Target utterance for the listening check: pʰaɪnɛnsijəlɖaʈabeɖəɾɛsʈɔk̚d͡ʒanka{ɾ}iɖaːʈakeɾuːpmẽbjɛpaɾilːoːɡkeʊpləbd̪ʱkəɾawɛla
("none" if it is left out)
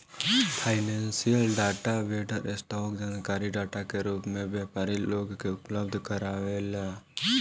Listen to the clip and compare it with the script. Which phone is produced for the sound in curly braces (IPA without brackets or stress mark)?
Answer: ɾ